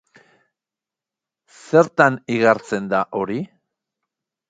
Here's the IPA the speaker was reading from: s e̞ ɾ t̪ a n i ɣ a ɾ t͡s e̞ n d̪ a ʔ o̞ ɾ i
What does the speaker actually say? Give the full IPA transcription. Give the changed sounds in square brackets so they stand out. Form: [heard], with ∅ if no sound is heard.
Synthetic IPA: s e̞ ɾ t̪ a n i ɣ a ɾ t͡s e̞ n d̪ a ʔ o̞ ɾ i